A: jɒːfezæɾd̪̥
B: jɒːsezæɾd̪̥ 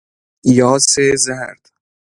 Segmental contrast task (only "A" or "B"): B